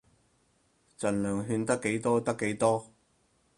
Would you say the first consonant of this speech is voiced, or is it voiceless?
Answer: voiceless